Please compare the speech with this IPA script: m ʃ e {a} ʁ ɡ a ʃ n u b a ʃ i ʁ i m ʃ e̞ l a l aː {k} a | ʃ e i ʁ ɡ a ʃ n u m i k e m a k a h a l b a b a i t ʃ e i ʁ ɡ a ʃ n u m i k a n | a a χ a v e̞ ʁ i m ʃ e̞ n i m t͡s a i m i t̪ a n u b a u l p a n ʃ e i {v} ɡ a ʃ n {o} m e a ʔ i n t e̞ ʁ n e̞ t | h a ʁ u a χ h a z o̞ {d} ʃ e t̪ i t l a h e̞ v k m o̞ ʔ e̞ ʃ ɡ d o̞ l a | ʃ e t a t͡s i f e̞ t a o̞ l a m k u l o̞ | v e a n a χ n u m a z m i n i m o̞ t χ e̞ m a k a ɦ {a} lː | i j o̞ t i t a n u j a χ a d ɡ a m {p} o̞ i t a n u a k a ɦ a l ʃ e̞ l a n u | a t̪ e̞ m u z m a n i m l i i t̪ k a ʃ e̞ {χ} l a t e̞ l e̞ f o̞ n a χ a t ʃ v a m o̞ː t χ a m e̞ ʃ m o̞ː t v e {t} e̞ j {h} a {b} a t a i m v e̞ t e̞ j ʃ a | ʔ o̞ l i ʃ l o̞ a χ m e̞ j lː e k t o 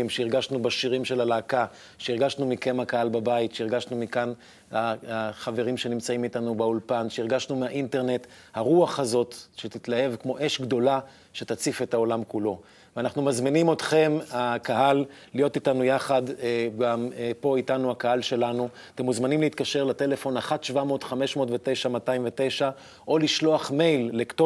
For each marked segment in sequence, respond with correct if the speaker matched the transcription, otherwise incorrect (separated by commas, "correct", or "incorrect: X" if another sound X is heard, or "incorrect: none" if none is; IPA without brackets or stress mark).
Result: incorrect: i, correct, incorrect: ʁ, incorrect: u, incorrect: t, correct, correct, incorrect: ʁ, correct, incorrect: ʃ, incorrect: m